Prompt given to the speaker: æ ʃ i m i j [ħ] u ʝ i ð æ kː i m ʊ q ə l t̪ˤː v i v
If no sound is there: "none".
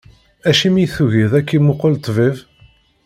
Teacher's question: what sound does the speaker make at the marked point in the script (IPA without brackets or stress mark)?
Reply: θ